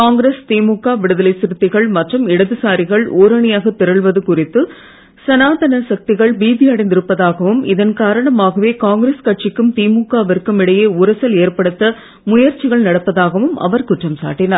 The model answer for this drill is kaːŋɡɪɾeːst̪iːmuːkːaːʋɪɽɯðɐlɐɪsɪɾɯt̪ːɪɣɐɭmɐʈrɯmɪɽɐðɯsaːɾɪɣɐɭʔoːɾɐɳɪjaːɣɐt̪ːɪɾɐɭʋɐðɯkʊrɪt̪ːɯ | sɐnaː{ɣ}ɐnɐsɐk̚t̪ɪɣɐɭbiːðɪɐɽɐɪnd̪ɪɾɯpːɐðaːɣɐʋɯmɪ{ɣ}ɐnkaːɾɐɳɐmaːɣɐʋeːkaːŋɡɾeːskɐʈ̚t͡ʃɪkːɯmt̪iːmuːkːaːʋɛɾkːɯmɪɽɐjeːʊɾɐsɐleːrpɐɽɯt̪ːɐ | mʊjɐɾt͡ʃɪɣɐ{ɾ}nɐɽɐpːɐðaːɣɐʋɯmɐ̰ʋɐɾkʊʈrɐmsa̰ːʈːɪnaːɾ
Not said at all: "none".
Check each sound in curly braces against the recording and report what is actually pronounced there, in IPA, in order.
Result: ð, ð, ɭ

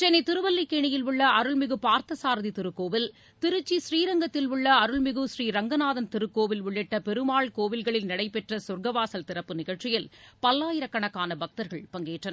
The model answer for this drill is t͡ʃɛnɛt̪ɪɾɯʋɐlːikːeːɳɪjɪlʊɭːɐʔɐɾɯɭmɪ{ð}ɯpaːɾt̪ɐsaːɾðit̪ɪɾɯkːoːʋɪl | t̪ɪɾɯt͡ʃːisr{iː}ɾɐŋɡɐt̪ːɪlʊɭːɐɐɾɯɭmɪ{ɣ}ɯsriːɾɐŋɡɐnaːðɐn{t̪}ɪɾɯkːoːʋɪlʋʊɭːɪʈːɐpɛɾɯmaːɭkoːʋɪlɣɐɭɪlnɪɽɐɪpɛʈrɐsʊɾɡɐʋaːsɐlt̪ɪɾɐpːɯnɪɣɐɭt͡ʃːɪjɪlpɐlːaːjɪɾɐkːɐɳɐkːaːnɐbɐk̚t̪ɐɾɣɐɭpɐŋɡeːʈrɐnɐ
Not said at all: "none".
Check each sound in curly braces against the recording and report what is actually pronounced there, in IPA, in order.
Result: ɣ, iː, ɣ, t̪

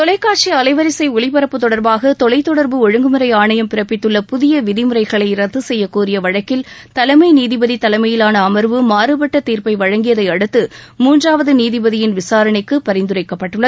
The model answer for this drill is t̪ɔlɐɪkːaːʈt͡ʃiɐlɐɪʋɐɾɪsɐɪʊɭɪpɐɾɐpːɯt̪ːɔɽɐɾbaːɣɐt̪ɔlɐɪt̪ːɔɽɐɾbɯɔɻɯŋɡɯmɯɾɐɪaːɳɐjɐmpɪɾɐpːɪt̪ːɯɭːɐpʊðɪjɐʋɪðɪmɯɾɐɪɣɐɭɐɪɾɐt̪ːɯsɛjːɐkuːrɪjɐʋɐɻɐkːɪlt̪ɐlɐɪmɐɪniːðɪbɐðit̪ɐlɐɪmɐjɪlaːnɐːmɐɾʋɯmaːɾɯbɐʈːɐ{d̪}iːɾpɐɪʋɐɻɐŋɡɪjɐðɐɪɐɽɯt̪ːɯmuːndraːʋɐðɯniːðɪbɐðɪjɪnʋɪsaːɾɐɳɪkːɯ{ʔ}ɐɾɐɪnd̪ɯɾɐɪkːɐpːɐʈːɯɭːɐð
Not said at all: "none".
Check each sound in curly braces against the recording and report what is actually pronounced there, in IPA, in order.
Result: t̪, p

